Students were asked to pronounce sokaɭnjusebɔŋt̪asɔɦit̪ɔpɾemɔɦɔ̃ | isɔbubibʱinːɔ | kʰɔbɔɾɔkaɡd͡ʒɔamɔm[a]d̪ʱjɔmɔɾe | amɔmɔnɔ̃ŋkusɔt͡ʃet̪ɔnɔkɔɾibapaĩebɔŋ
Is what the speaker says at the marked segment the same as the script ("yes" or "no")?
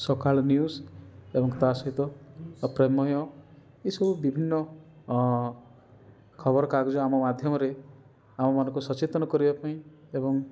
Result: yes